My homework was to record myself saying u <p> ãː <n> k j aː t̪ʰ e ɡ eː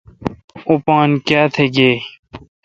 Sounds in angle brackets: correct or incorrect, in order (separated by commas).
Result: correct, correct